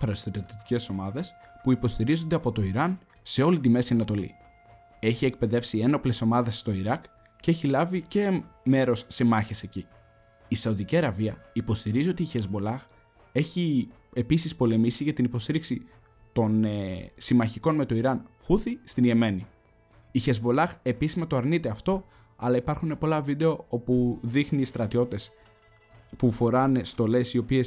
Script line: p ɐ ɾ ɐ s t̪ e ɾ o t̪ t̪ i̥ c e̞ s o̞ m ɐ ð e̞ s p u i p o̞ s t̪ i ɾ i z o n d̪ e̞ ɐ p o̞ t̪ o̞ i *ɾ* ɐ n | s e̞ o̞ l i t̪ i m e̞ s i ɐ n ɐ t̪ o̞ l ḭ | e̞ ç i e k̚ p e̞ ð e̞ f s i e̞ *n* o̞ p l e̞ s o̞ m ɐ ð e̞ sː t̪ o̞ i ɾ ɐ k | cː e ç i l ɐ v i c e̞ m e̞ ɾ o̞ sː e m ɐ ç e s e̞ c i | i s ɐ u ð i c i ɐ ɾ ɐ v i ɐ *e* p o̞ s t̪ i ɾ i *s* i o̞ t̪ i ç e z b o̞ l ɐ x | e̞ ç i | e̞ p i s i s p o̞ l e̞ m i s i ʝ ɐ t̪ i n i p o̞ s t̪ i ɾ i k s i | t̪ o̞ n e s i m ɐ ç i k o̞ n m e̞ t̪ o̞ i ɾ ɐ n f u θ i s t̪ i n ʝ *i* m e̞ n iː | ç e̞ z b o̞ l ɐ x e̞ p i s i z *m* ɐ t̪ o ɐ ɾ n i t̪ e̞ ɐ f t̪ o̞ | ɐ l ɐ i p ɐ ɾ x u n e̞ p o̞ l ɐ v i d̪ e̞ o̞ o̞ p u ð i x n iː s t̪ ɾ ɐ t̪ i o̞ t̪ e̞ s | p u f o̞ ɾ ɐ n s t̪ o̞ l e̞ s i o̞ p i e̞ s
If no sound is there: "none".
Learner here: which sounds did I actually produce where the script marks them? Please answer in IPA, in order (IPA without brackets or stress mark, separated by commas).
ɾ, n, i, z, e, m